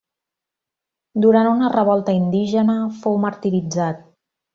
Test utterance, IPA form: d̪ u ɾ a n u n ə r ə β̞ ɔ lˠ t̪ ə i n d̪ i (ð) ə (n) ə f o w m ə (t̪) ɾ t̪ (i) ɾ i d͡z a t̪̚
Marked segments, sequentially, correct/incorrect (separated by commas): incorrect, correct, incorrect, correct